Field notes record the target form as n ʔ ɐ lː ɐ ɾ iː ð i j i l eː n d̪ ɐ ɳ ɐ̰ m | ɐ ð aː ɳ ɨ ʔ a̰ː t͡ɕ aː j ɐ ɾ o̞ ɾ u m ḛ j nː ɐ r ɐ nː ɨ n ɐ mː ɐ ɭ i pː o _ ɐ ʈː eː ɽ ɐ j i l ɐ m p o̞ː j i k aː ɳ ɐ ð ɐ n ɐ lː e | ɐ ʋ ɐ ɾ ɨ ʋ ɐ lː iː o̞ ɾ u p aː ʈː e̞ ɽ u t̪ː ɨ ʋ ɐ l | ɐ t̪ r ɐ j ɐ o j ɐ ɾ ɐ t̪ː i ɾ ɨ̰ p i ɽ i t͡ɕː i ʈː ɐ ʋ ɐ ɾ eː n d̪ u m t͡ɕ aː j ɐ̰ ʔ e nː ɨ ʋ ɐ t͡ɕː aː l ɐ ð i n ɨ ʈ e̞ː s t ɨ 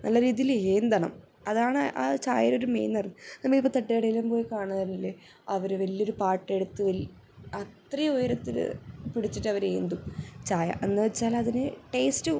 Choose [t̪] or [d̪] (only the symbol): t̪